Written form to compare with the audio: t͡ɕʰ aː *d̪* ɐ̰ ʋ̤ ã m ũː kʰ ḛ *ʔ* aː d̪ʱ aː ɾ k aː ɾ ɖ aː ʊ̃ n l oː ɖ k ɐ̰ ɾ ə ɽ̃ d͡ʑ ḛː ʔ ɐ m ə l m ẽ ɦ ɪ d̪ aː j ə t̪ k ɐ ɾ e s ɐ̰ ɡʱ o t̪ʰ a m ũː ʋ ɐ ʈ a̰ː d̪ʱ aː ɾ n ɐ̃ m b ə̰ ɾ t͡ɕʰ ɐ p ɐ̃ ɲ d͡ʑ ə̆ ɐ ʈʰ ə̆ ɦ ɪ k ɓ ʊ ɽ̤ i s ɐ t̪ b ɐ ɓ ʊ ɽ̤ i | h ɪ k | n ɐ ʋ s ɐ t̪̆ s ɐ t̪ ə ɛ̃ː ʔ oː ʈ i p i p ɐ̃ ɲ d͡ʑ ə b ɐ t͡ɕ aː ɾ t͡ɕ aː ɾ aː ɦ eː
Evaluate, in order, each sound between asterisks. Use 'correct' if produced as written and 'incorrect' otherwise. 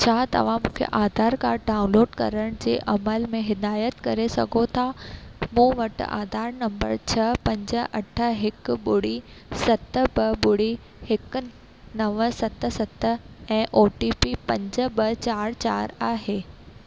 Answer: incorrect, correct

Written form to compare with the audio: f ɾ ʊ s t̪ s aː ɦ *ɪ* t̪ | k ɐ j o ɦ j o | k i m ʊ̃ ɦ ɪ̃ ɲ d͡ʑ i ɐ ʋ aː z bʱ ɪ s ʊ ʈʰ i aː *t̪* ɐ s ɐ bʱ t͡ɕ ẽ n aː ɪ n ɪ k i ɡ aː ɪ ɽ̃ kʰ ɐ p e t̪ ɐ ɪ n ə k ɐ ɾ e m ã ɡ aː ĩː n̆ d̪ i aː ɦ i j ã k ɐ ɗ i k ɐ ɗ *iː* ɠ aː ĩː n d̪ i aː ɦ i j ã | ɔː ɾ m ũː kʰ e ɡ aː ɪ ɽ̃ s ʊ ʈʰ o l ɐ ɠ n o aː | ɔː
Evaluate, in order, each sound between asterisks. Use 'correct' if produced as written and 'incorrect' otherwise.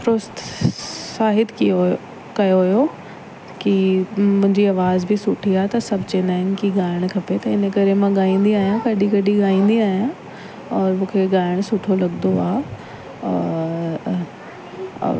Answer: correct, correct, incorrect

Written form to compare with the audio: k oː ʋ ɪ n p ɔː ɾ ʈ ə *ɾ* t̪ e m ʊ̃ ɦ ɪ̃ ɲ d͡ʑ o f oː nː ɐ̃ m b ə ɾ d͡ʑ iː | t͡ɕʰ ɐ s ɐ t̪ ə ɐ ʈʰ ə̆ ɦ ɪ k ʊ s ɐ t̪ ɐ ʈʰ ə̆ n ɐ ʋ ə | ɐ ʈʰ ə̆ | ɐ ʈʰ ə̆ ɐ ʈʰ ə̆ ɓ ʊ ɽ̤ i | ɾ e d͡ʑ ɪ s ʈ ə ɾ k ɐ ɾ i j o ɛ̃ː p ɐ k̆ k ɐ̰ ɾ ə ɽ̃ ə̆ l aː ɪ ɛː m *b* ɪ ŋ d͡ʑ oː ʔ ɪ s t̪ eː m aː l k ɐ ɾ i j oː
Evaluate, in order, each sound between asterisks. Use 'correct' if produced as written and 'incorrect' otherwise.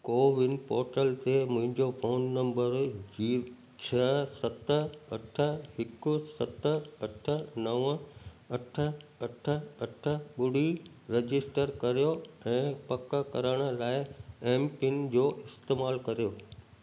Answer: incorrect, incorrect

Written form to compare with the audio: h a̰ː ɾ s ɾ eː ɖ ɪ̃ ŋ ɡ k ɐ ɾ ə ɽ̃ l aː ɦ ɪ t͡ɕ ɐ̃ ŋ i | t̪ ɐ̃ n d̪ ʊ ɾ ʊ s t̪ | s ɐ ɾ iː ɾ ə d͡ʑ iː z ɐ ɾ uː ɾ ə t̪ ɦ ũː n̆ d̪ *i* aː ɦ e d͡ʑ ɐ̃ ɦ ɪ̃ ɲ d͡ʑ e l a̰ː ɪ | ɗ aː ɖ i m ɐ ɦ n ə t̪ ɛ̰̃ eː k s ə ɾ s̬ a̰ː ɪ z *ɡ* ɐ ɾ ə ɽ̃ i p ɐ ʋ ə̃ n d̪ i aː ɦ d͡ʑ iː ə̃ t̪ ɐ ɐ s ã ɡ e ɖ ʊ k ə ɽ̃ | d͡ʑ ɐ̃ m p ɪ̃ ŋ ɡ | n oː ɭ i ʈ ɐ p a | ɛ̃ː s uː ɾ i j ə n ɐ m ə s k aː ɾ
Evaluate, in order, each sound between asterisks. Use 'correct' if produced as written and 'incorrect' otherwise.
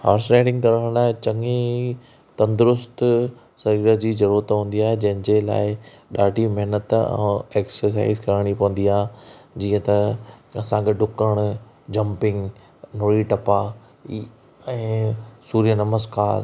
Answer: correct, incorrect

